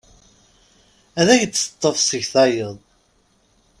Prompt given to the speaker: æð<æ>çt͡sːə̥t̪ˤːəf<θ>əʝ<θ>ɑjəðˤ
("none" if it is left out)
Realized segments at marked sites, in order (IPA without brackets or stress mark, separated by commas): æ, s, θ